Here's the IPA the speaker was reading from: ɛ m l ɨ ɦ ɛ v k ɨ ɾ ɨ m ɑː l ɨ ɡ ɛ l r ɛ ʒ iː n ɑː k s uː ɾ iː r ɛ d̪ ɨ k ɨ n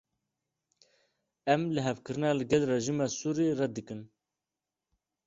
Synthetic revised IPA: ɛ m l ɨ ɦ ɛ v k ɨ ɾ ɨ n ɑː l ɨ ɡ ɛ l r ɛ ʒ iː m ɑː s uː ɾ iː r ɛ d̪ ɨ k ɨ n